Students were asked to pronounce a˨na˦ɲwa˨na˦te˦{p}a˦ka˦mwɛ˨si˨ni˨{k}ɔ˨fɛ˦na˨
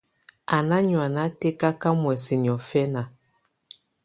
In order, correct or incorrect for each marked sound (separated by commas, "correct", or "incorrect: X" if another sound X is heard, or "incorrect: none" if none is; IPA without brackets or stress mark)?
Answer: incorrect: k, incorrect: none